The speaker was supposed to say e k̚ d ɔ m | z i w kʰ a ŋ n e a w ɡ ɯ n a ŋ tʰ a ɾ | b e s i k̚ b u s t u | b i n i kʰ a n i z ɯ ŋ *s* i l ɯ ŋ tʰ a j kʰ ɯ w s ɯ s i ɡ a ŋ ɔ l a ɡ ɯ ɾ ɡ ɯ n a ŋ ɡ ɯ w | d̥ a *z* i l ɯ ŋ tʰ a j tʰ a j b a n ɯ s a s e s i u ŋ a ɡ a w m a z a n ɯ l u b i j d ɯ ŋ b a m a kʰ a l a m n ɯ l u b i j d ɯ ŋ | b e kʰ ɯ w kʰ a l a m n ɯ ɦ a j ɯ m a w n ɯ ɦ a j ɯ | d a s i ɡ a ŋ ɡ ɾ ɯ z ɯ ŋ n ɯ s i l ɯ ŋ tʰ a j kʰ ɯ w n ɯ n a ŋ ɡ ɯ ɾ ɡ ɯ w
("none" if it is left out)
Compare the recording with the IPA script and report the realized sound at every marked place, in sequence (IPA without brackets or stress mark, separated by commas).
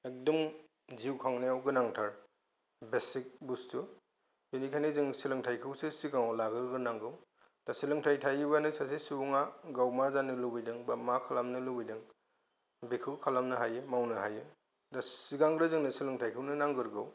s, s